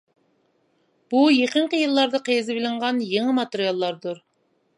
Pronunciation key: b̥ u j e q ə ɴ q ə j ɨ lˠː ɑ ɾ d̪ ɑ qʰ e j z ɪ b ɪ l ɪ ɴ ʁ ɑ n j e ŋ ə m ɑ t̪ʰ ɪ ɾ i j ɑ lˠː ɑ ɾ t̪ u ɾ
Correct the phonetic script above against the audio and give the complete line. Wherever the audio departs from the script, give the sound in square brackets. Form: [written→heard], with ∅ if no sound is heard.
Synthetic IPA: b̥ u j e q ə ɴ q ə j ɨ lˠː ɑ ɾ d̪ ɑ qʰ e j z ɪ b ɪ l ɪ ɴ ʁ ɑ n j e ŋ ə m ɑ [t̪ʰ→t̪] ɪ ɾ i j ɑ lˠː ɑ ɾ [t̪→d̪] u ɾ